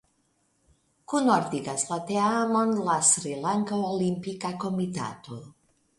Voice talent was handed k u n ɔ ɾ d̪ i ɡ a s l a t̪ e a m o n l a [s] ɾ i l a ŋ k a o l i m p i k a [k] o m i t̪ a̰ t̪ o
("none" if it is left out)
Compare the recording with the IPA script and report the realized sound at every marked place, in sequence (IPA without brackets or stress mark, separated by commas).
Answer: s, k